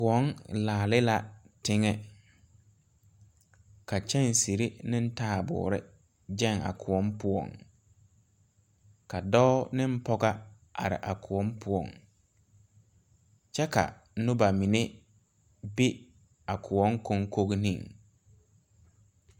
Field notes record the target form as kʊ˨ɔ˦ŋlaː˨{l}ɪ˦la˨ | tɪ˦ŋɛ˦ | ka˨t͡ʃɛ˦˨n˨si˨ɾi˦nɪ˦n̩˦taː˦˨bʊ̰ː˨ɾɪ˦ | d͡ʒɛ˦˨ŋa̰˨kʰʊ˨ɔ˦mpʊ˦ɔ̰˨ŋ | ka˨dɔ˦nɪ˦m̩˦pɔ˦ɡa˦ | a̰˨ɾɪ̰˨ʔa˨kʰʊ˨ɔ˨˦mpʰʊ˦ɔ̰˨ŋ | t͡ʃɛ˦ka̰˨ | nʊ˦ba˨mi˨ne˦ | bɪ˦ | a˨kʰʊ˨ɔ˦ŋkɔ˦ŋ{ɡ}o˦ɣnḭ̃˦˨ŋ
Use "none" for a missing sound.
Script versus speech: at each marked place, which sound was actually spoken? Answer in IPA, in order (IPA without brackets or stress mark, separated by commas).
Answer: l, k